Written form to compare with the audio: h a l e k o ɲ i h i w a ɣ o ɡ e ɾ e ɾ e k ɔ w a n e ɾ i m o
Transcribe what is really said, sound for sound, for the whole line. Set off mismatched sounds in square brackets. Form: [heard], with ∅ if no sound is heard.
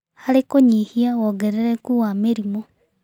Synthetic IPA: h a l e k o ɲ i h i [∅] a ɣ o ɡ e ɾ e ɾ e k [u] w a [m] e ɾ i m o